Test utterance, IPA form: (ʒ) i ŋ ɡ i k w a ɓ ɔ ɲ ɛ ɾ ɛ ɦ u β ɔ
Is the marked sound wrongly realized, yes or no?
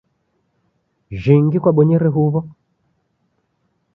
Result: no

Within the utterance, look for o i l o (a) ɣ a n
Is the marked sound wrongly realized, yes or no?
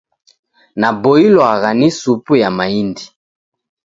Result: no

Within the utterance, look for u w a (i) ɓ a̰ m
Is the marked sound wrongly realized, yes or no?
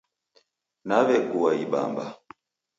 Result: no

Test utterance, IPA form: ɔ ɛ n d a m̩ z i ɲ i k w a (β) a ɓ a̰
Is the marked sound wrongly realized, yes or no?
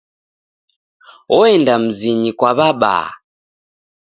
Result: no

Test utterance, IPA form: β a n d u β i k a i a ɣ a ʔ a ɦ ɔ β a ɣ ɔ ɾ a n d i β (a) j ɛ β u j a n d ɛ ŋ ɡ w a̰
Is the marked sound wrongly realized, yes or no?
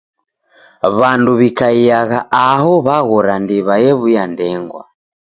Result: no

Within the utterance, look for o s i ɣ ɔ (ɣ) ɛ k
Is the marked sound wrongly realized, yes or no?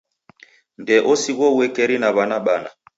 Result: yes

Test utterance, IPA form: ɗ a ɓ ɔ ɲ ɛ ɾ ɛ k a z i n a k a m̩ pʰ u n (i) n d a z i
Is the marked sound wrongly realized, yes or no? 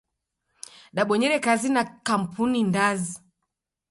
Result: no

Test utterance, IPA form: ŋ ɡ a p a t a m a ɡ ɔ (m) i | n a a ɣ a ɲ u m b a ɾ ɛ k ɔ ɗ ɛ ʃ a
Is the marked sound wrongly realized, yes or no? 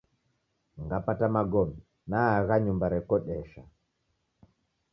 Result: no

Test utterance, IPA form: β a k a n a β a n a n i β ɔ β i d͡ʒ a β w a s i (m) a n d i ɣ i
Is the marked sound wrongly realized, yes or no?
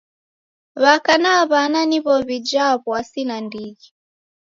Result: yes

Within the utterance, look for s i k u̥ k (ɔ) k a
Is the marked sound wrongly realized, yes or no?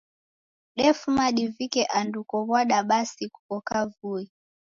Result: no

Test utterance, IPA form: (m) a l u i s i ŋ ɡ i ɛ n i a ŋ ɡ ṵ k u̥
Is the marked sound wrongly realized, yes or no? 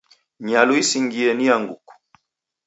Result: yes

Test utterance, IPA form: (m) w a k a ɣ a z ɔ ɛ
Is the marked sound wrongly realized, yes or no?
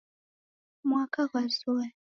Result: no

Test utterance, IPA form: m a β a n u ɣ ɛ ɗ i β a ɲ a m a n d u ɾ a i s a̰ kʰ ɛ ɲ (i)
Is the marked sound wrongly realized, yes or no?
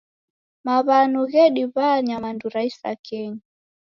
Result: yes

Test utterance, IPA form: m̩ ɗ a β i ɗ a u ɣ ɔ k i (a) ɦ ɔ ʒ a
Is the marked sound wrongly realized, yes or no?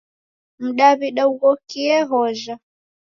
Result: yes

